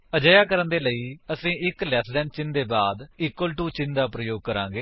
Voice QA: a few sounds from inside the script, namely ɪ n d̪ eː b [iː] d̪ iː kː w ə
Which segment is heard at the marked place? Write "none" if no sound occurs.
aː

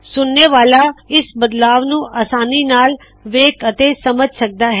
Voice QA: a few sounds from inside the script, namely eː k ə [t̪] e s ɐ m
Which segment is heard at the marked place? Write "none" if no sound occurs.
t̪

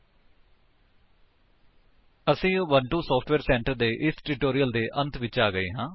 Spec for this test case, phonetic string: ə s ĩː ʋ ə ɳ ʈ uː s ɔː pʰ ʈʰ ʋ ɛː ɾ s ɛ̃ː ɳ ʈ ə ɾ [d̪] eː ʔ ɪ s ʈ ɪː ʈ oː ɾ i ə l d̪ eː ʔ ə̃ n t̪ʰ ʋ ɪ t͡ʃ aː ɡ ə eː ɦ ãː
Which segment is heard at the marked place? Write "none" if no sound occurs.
d̪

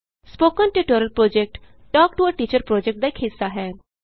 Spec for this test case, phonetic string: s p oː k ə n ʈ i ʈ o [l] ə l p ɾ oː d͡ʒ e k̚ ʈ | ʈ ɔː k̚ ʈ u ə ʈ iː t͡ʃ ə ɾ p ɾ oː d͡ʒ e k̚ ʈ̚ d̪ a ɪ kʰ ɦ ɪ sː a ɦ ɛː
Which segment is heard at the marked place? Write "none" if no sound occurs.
ɾ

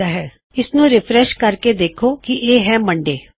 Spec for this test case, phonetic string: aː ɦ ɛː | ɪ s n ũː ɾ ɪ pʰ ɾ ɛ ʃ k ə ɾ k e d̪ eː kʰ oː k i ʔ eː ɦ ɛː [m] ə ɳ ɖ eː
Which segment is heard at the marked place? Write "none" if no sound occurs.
m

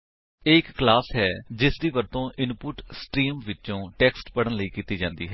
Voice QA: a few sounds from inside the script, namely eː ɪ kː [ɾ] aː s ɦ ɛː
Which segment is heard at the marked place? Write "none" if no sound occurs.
l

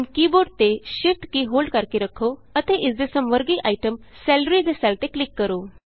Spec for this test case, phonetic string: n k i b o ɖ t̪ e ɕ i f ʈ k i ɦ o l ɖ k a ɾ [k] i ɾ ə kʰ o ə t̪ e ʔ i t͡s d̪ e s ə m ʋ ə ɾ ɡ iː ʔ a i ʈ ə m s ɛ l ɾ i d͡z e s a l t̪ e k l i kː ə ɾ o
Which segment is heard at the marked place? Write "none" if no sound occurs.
k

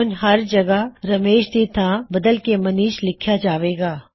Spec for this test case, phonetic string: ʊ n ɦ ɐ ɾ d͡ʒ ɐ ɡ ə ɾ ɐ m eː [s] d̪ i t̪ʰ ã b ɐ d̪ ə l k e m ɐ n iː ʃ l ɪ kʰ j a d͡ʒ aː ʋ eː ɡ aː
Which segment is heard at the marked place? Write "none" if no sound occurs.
ʃ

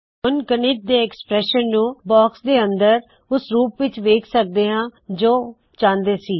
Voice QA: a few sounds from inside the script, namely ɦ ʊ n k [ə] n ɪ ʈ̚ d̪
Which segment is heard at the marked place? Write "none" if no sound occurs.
ə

